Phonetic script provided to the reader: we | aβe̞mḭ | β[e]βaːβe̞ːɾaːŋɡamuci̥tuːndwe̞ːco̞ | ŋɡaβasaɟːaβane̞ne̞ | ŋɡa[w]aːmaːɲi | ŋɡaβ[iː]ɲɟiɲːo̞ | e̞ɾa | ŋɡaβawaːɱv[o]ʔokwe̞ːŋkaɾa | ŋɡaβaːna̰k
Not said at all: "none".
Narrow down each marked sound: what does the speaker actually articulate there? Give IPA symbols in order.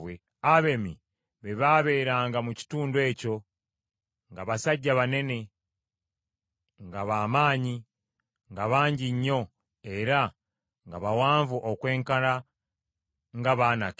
e, β, aː, u

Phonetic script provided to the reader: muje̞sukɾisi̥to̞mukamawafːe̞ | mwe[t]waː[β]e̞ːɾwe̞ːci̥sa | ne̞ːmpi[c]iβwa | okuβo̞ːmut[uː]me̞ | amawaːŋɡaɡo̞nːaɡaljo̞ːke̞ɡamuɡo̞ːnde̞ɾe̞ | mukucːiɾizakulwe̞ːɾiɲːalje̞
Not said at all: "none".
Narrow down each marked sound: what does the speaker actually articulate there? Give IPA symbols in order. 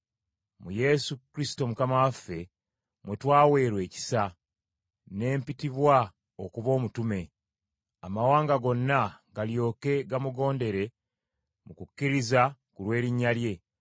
t, w, t, u

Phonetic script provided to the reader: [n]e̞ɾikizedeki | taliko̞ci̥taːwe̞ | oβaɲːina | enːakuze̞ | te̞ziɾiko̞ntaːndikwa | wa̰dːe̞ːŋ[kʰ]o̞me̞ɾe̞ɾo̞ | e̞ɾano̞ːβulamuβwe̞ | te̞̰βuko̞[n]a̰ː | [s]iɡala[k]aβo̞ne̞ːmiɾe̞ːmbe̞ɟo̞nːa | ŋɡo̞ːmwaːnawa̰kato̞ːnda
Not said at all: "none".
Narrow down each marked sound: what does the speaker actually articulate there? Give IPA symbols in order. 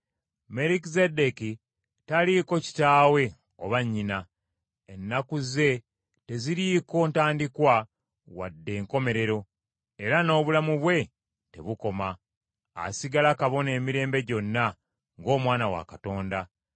m, k, m, s, k

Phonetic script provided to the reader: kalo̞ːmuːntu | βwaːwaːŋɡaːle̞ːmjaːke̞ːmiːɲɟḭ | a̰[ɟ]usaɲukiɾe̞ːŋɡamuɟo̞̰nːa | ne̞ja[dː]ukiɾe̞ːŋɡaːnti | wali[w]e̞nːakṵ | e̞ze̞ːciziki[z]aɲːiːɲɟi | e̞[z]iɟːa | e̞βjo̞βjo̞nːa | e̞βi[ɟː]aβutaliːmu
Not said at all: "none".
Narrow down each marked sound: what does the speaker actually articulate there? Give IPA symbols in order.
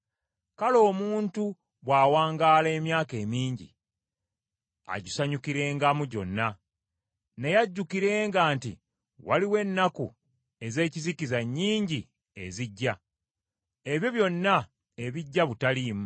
ɟ, ɟː, w, z, z, ɟː

